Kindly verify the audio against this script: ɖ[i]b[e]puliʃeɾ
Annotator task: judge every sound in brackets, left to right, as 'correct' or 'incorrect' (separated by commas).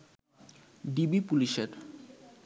correct, incorrect